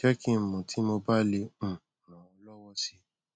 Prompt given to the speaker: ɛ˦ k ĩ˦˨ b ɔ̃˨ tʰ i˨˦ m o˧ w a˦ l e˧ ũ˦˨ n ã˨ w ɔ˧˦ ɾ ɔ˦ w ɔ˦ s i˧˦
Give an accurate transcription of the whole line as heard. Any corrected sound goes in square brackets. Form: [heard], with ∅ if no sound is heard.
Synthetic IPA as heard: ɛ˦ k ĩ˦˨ [m] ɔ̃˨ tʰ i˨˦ m o˧ [b] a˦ l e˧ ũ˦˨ n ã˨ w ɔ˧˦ [l] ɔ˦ w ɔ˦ s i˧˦